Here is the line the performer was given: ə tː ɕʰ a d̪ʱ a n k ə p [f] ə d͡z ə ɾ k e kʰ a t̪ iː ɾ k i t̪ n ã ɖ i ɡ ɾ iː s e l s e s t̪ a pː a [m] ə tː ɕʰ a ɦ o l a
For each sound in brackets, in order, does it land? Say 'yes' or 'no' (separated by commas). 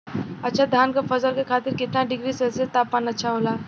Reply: yes, no